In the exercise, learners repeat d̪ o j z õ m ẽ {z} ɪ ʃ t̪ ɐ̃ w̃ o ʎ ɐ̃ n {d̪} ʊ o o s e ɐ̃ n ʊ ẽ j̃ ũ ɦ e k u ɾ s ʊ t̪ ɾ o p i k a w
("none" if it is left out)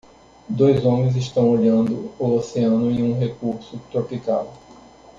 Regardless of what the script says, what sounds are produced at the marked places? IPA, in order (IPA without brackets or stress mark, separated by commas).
z, d̪